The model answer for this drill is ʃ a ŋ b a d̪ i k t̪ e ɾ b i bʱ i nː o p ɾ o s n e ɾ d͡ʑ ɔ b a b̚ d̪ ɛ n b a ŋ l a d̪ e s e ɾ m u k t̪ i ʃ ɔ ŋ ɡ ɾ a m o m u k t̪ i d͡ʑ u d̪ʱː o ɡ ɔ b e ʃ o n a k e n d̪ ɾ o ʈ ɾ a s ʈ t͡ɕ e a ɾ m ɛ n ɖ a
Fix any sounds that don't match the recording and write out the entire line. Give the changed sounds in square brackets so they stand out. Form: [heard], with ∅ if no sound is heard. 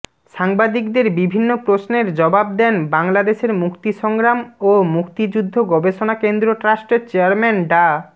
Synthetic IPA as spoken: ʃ a ŋ b a d̪ i k [d̪] e ɾ b i bʱ i nː o p ɾ o s n e ɾ d͡ʑ ɔ b a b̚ d̪ ɛ n b a ŋ l a d̪ e [ʃ] e ɾ m u k t̪ i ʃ ɔ ŋ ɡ ɾ a m o m u k t̪ i d͡ʑ u d̪ʱː o ɡ ɔ b e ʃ o n a k e n d̪ ɾ o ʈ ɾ a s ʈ t͡ɕ e a ɾ m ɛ n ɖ a

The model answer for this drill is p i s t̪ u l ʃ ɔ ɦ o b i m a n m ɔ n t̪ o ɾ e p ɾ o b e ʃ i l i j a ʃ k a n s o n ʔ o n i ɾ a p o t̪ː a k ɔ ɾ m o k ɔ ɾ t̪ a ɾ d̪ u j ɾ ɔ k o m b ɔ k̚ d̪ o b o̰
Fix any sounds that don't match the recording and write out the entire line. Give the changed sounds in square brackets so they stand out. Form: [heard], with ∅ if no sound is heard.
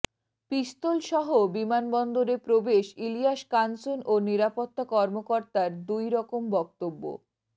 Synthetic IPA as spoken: p i s t̪ [o] l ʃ ɔ ɦ o b i m a n [b] ɔ n [d̪] o ɾ e p ɾ o b e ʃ i l i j a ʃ k a n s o n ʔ o n i ɾ a p o t̪ː a k ɔ ɾ m o k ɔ ɾ t̪ a ɾ d̪ u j ɾ ɔ k o m b ɔ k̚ [t̪] o [bː] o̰

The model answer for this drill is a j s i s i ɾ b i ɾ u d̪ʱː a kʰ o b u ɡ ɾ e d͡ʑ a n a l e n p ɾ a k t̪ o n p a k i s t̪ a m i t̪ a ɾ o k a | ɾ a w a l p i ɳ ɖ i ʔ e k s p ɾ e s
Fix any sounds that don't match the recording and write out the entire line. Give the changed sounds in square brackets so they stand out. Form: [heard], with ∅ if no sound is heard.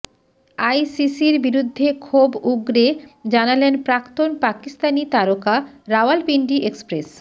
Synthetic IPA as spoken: a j s i s i ɾ b i ɾ u d̪ʱː [e] kʰ o b u ɡ ɾ e d͡ʑ a n a l e n p ɾ a k t̪ o n p a k i s t̪ a [n] i t̪ a ɾ o k a | ɾ a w a l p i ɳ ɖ i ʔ e k s p ɾ e s

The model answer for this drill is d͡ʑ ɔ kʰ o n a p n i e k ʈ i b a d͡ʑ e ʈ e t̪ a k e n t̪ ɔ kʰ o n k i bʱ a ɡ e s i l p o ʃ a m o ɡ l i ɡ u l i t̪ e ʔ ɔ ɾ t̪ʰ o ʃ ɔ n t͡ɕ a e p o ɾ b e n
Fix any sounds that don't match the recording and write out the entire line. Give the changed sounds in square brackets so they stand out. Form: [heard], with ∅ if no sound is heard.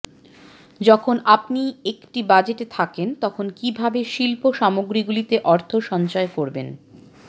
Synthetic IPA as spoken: d͡ʑ ɔ kʰ o n a p n i e k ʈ i b a d͡ʑ e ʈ e [t̪ʰ] a k e n t̪ ɔ kʰ o n k i bʱ a [b] e [ʃ] i l p o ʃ a m o ɡ [ɾ] i ɡ u l i t̪ e ʔ ɔ ɾ t̪ʰ o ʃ ɔ n t͡ɕ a e [k] o ɾ b e n

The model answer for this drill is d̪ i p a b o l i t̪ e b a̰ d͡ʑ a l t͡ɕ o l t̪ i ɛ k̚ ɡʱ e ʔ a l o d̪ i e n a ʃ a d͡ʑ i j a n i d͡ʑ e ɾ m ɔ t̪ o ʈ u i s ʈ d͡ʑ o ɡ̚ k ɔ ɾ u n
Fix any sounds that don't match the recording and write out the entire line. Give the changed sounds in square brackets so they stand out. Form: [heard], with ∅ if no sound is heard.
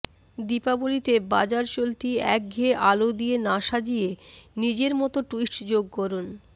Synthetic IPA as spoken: d̪ i p a b o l i t̪ e b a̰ d͡ʑ a [ɾ] t͡ɕ o l t̪ i ɛ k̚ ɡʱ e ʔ a l o d̪ i e n a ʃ a d͡ʑ i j [e] n i d͡ʑ e ɾ m ɔ t̪ o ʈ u i s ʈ d͡ʑ o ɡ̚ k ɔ ɾ u n

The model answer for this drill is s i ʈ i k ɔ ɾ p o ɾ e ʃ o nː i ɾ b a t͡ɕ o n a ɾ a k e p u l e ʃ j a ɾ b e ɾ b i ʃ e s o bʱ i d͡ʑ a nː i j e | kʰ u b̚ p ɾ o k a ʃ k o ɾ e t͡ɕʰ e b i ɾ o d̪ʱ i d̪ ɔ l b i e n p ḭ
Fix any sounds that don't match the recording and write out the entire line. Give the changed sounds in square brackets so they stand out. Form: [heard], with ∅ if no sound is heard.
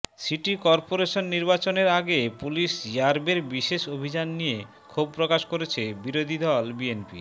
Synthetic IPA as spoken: s i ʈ i k ɔ ɾ p o ɾ e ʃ o nː i ɾ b a t͡ɕ o n [e] ɾ a [ɡ] e p u l [i] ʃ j a ɾ b e ɾ b i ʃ e [ʃ] o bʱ i d͡ʑ a nː i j e | kʰ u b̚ p ɾ o k a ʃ k o ɾ e t͡ɕʰ e b i ɾ o d̪ʱ i d̪ ɔ l b i e n p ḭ

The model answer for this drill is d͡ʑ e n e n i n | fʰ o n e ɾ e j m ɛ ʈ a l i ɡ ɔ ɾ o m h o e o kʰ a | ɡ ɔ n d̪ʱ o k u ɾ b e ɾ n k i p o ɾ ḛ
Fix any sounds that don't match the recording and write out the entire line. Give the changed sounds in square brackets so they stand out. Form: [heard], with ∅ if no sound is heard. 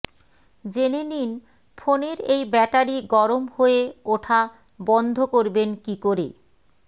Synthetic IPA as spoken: d͡ʑ e n e n i n | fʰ o n e ɾ e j [b] ɛ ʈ a [ɾ] i ɡ ɔ ɾ o m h o e o [ʈʰ] a | [b] ɔ n d̪ʱ o k [o] ɾ b e [∅] n k i [k] o ɾ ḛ

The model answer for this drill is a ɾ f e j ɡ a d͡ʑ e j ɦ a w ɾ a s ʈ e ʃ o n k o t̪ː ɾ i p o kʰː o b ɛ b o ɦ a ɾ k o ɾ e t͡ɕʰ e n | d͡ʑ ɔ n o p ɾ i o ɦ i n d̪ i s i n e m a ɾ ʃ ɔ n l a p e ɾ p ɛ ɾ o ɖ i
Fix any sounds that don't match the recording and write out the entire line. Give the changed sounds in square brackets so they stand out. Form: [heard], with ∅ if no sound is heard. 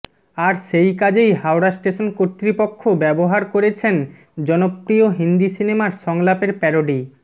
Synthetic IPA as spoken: a ɾ [ʃ] e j [k] a d͡ʑ e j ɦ a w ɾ a s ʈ e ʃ o n k o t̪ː ɾ i p o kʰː o b ɛ b o ɦ a ɾ k o ɾ e t͡ɕʰ e n | d͡ʑ ɔ n o p ɾ i o ɦ i n d̪ i s i n e m a ɾ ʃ ɔ [ŋ] l a p e ɾ p ɛ ɾ o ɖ i

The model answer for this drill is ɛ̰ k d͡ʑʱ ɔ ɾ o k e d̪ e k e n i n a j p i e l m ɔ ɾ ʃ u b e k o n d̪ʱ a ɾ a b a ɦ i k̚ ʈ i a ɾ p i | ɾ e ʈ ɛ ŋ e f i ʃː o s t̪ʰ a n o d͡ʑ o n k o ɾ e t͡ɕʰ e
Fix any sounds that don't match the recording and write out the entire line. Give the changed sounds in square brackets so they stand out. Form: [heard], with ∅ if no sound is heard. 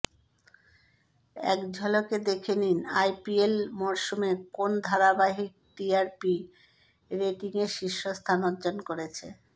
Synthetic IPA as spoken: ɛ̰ k d͡ʑʱ ɔ [l] o k e d̪ e [kʰ] e n i n a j p i e l m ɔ ɾ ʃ u [m] e k o n d̪ʱ a ɾ a b a ɦ i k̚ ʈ i a ɾ p i | ɾ e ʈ [i] ŋ e [ʃ] i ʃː o s t̪ʰ a n o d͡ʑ o n k o ɾ e t͡ɕʰ e

